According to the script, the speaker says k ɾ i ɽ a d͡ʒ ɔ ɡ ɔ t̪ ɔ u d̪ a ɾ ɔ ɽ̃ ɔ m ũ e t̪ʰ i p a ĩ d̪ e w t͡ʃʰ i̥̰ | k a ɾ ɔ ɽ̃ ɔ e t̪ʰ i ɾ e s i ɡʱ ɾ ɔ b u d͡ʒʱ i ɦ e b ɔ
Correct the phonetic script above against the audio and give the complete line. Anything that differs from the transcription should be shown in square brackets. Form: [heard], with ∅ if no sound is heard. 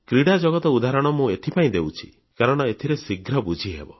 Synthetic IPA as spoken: k ɾ i ɽ a d͡ʒ ɔ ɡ ɔ t̪ ɔ u d̪ a ɾ ɔ ɽ̃ ɔ m ũ e t̪ʰ i p a ĩ d̪ e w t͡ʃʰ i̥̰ | k a ɾ ɔ ɽ̃ ɔ e t̪ʰ i ɾ e s i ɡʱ ɾ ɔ b u d͡ʒʱ i ɦ e b ɔ